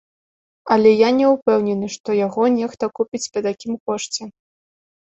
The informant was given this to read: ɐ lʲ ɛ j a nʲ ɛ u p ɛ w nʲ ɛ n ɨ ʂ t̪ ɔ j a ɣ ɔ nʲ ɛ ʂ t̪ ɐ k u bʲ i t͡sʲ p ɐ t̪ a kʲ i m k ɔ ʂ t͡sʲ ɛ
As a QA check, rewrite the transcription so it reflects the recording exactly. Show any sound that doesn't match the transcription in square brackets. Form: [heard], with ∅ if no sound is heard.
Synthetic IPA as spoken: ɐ lʲ ɛ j a nʲ ɛ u p ɛ w nʲ ɛ n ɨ ʂ t̪ ɔ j a ɣ ɔ nʲ ɛ [x] t̪ ɐ k u [pʲ] i t͡sʲ p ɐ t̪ a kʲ i m k ɔ ʂ t͡sʲ ɛ

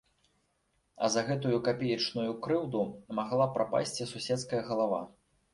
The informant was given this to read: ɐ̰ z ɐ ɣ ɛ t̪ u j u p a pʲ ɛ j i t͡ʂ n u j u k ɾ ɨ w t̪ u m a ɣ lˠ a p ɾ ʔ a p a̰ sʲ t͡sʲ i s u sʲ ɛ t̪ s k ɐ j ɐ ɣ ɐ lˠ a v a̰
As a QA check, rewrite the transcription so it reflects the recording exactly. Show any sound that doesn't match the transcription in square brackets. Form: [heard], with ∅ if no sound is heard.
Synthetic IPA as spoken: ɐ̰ z ɐ ɣ ɛ t̪ u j u [k] a pʲ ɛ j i t͡ʂ n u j u k ɾ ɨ w [d̪] u m a ɣ lˠ a p ɾ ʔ a p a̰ sʲ t͡sʲ i s u sʲ ɛ t̪ s k ɐ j ɐ ɣ ɐ lˠ a v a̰

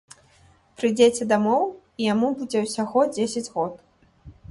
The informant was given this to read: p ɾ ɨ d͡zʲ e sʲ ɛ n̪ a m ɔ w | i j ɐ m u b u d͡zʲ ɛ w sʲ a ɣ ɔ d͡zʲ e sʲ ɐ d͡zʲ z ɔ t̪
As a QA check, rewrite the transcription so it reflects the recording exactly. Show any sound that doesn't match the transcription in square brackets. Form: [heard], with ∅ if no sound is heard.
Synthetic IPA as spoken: p ɾ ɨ d͡zʲ e [t͡sʲ] ɛ [d̪] a m ɔ w | i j [a] m u b u d͡zʲ ɛ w sʲ a ɣ ɔ d͡zʲ e sʲ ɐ d͡zʲ [ɣ] ɔ t̪

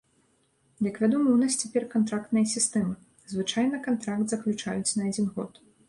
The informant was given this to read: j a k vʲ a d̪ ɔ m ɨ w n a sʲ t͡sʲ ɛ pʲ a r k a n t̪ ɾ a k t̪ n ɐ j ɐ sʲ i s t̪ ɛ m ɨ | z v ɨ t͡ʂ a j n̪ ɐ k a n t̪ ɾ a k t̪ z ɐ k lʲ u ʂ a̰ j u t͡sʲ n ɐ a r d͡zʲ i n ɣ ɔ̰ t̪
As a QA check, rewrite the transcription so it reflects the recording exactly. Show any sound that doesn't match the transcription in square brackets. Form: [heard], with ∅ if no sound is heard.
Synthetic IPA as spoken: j [ɐ] k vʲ a d̪ ɔ m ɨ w n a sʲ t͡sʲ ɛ pʲ [ɛ] r k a n t̪ ɾ a k t̪ n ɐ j ɐ sʲ i s t̪ ɛ m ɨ | z v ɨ t͡ʂ a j n̪ ɐ k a n t̪ ɾ a k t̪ z ɐ k lʲ u [t͡ʂ] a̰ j u t͡sʲ n ɐ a [∅] d͡zʲ i n ɣ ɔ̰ t̪

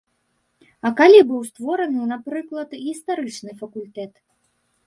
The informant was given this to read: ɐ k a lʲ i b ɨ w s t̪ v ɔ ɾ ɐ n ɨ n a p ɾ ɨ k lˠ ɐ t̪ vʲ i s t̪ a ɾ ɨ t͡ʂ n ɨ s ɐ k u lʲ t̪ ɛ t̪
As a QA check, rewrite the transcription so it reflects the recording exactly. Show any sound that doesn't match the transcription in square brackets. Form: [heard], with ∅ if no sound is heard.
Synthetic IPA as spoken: ɐ k a lʲ i b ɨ w s t̪ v ɔ ɾ ɐ n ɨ n a p ɾ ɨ k lˠ ɐ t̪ [ɣʲ] i s t̪ a ɾ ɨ t͡ʂ n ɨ [f] ɐ k u lʲ t̪ ɛ t̪

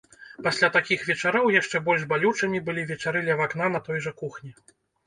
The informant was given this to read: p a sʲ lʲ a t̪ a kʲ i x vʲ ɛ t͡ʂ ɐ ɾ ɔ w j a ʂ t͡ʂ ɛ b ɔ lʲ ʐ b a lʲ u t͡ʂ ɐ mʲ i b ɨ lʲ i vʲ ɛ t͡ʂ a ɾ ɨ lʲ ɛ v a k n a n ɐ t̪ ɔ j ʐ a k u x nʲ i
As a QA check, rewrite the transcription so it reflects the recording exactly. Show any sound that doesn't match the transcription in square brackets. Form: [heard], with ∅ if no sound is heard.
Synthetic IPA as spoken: p a sʲ lʲ a t̪ a kʲ i x vʲ ɛ t͡ʂ [a] ɾ ɔ w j a ʂ t͡ʂ ɛ b ɔ lʲ ʐ b a lʲ u t͡ʂ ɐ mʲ i b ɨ lʲ i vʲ ɛ t͡ʂ a ɾ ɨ lʲ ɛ v a k n a n ɐ t̪ ɔ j ʐ [ɐ] k u x nʲ i

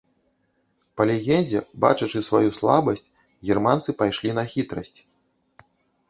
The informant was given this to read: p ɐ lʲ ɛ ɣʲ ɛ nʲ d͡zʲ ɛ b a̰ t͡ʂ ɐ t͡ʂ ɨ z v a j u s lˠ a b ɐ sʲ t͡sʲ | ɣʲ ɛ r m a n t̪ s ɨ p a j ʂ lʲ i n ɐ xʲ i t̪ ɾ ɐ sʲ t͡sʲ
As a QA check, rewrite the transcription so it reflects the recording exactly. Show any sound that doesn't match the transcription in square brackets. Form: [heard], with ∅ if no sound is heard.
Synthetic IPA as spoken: p ɐ lʲ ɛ ɣʲ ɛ nʲ d͡zʲ ɛ b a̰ t͡ʂ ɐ t͡ʂ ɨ [s] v a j u s lˠ a b ɐ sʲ t͡sʲ | ɣʲ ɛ r m a n t̪ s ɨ p a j ʂ lʲ i n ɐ xʲ i t̪ ɾ ɐ sʲ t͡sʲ

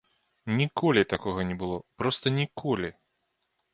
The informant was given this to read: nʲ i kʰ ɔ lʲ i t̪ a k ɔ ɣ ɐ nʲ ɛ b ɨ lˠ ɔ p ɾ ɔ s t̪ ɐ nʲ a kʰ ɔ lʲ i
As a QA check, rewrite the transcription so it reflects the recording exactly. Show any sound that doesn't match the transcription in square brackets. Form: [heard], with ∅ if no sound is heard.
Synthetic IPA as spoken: nʲ i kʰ ɔ lʲ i t̪ a k ɔ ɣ ɐ nʲ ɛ b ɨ lˠ ɔ p ɾ ɔ s t̪ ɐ nʲ [i] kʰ ɔ lʲ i

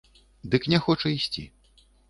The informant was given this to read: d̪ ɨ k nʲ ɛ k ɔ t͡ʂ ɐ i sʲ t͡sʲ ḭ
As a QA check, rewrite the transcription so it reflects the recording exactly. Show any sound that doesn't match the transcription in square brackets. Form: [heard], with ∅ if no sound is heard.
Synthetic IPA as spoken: d̪ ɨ k nʲ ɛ [x] ɔ t͡ʂ ɐ i sʲ t͡sʲ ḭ

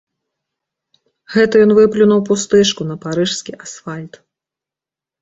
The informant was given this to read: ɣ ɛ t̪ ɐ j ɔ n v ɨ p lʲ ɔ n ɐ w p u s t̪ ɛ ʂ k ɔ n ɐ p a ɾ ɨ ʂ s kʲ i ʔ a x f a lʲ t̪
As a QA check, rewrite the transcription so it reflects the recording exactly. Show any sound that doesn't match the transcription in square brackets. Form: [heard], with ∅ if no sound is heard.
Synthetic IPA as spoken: ɣ ɛ t̪ ɐ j ɔ n v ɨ p lʲ [u] n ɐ w p u s t̪ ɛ ʂ k [u] n ɐ p a ɾ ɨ ʂ s kʲ i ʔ a [s] f a lʲ t̪

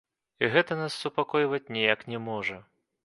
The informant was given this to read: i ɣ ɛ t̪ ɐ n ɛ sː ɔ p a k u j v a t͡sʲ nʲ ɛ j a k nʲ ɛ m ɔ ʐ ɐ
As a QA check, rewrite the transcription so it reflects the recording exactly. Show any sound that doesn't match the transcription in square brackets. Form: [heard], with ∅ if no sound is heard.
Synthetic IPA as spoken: i ɣ ɛ t̪ ɐ n [a] sː [u] p a k [ɔ] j v [ɐ] t͡sʲ nʲ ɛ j a k nʲ ɛ m ɔ ʐ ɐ

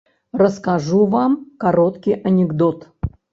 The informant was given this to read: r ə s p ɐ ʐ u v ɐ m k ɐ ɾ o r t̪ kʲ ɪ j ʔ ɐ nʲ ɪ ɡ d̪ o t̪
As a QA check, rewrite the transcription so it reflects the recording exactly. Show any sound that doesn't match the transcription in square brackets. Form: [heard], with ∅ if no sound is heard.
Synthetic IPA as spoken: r ə s [k] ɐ ʐ u v [a] m k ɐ ɾ o [∅] t̪ kʲ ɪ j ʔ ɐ nʲ ɪ ɡ d̪ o t̪

